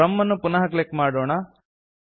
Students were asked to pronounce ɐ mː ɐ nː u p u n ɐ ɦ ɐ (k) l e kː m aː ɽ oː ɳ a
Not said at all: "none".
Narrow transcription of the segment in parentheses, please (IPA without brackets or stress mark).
k